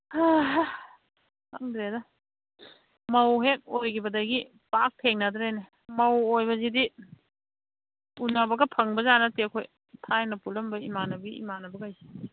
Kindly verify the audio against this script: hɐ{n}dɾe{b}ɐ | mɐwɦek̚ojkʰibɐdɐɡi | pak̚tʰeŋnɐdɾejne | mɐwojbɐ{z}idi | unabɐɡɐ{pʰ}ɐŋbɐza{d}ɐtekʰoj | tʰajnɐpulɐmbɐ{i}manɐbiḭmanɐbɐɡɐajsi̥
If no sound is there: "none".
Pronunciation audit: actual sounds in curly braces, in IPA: ŋ, d, z, pʰ, n, i

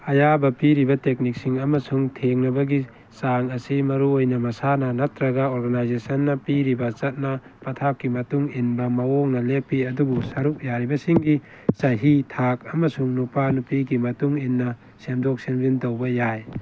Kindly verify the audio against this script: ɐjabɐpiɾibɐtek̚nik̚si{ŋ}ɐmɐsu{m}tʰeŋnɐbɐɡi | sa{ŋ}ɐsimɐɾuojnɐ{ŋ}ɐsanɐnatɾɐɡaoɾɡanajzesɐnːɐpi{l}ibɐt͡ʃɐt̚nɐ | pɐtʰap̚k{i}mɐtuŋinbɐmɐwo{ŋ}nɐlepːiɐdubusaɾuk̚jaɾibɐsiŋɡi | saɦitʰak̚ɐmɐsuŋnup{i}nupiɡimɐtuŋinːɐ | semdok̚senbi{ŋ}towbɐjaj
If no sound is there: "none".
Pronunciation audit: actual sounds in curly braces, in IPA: ŋ, ŋ, ŋ, m, ɾ, i, ŋ, a, n

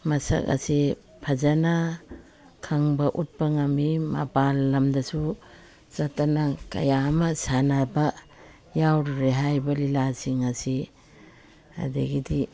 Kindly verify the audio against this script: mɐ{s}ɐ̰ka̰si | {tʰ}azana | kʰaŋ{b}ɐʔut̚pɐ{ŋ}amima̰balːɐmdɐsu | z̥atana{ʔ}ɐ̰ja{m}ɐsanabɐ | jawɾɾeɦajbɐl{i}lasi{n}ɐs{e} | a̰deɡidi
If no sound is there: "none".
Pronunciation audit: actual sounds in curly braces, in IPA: s, pʰ, b, ŋ, k, m, i, ŋ, i

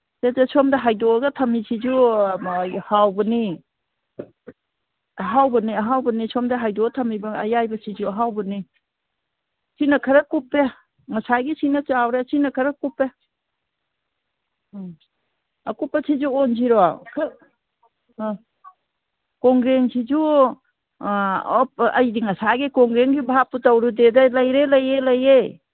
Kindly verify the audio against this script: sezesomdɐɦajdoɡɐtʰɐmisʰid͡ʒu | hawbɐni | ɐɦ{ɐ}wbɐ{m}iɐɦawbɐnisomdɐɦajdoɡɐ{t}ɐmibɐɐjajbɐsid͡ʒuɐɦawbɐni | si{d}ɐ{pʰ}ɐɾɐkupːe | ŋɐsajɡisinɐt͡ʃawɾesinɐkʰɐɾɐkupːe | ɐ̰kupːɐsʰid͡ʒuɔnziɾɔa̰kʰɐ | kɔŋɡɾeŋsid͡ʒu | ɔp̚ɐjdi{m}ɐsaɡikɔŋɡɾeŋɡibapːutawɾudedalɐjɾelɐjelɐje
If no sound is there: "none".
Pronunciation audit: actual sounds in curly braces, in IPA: a, n, tʰ, n, kʰ, ŋ

